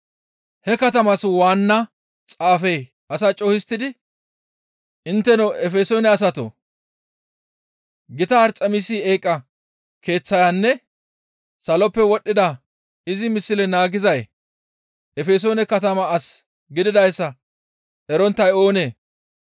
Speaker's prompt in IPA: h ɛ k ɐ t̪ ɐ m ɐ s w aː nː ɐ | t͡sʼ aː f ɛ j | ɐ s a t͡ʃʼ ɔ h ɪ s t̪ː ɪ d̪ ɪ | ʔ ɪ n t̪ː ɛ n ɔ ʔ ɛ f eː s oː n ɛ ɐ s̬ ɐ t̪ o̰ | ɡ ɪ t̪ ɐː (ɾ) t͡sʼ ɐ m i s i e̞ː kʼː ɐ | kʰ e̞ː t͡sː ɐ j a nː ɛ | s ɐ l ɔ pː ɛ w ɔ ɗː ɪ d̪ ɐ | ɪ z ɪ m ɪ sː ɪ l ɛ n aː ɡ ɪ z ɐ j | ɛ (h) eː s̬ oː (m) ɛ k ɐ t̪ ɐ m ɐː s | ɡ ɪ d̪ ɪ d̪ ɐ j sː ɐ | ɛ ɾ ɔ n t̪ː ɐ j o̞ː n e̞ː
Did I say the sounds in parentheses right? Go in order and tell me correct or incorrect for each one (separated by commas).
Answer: correct, incorrect, incorrect